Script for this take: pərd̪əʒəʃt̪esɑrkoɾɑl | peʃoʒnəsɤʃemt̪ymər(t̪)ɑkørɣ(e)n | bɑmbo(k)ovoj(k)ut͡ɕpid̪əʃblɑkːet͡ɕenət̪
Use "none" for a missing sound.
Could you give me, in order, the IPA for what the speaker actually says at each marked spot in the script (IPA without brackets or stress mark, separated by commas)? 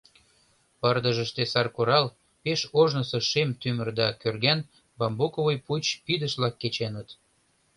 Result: d̪, æ, k, p